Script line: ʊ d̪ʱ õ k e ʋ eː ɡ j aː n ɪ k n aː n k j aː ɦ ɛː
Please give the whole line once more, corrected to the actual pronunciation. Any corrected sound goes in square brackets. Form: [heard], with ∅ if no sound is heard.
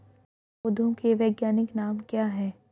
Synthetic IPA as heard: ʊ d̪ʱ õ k e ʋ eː ɡ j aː n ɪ k n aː [m] k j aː ɦ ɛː